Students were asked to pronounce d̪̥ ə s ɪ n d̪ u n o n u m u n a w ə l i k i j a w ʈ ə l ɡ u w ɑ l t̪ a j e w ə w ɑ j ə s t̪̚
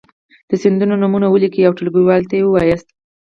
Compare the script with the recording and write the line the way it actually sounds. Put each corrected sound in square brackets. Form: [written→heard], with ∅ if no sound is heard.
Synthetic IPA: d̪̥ ə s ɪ n d̪ u n o n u m u n a w ə l i k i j a w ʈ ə l ɡ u w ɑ l t̪ a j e w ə w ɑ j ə s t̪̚

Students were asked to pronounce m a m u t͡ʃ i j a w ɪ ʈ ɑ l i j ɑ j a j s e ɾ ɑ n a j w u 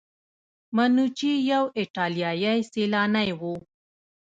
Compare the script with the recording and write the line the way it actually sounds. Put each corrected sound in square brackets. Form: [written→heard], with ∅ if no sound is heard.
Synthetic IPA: m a [m→n] u t͡ʃ i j a w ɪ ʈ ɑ l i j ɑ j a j s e [ɾ→l] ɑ n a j w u

